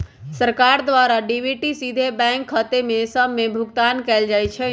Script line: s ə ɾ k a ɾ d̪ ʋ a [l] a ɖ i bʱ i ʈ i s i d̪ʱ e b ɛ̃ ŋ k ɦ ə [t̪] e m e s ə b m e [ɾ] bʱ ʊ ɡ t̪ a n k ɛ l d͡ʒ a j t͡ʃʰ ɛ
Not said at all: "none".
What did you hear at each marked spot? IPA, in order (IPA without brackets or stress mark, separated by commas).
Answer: ɾ, t̪, none